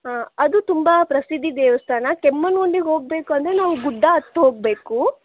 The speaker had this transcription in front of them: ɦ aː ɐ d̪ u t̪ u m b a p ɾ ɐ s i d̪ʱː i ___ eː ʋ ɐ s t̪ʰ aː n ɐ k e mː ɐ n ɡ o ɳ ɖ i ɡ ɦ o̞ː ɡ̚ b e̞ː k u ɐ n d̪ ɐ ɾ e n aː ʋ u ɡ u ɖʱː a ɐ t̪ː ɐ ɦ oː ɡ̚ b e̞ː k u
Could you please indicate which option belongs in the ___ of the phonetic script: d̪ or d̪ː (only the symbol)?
d̪